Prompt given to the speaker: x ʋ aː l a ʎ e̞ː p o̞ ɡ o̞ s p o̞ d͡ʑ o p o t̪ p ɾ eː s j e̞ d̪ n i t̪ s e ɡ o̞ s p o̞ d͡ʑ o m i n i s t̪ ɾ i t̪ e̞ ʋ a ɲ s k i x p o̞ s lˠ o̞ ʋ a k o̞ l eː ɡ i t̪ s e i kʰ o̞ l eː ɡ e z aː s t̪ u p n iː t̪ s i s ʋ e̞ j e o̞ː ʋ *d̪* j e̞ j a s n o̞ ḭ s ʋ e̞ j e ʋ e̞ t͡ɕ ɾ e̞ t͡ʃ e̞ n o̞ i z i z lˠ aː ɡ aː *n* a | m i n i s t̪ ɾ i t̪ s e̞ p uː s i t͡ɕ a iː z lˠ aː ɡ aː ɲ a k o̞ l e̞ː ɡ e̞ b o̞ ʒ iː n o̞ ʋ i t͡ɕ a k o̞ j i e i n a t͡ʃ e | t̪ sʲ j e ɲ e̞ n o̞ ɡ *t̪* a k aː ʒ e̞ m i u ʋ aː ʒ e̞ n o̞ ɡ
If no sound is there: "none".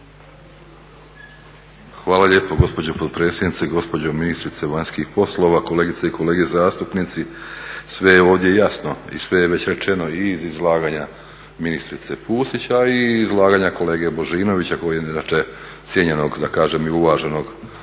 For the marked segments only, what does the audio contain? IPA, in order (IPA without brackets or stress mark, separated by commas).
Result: d̪, ɲ, d̪